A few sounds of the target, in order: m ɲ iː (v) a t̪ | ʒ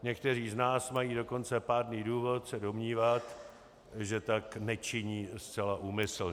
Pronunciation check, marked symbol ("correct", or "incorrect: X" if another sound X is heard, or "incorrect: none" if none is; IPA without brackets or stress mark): correct